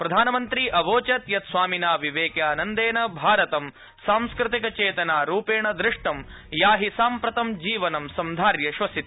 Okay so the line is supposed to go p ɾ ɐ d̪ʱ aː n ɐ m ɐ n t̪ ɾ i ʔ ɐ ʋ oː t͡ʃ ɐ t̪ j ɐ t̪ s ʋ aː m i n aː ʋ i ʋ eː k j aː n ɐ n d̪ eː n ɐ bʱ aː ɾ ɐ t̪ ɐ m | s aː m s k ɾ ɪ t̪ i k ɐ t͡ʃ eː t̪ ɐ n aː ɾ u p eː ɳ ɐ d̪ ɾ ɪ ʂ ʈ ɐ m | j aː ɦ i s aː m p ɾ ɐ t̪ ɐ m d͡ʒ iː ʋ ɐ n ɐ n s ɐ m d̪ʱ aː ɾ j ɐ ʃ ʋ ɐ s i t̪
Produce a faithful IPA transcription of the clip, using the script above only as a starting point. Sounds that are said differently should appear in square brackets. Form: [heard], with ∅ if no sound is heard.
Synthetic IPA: p ɾ ɐ d̪ʱ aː n ɐ m ɐ n t̪ ɾ i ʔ ɐ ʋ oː t͡ʃ ɐ t̪ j ɐ t̪ s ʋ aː m i n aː ʋ i ʋ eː k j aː n ɐ n d̪ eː n ɐ bʱ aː ɾ ɐ t̪ ɐ m | s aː m s k ɾ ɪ t̪ i k ɐ t͡ʃ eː t̪ ɐ n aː ɾ [uː] p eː ɳ ɐ d̪ ɾ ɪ ʂ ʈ ɐ m | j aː ɦ i s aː m p ɾ ɐ t̪ ɐ m d͡ʒ iː ʋ ɐ n ɐ [m] s ɐ m d̪ʱ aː ɾ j ɐ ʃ ʋ ɐ s i t̪